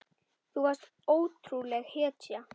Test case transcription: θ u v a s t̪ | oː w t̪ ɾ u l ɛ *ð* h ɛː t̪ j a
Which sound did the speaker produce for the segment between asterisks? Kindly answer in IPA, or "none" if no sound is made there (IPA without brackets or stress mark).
ɣ